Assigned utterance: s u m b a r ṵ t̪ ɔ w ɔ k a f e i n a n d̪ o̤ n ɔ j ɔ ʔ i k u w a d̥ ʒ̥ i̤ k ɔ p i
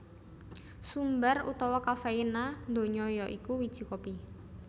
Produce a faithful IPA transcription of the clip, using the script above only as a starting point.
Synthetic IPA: s u m b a r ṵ t̪ ɔ w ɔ k a f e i n a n d̪ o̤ ɲ ɔ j ɔ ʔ i k u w i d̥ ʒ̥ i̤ k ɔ p i